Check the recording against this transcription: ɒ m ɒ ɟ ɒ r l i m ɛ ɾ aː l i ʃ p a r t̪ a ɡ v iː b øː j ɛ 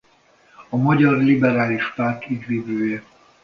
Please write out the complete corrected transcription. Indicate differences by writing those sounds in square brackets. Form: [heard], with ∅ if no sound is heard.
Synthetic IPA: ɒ m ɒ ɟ ɒ r l i [b] ɛ ɾ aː l i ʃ p a r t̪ [i] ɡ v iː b øː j ɛ

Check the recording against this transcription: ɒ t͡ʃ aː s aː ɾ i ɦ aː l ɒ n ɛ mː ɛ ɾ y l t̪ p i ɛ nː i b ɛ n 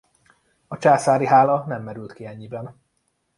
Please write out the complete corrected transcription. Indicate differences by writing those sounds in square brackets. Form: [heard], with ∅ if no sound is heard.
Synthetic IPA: ɒ t͡ʃ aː s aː ɾ i ɦ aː l ɒ n ɛ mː ɛ ɾ y l t̪ [k] i ɛ [ɲː] i b ɛ n

